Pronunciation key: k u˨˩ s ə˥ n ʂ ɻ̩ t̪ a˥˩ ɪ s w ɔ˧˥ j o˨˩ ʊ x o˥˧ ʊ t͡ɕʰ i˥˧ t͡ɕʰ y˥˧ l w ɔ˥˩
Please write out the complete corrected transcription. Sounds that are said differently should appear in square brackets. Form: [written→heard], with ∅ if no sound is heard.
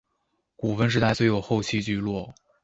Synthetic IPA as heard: k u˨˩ [s→f] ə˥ n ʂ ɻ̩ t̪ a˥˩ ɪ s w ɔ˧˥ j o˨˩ ʊ x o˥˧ ʊ t͡ɕʰ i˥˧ [t͡ɕʰ→t͡ɕ] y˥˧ l w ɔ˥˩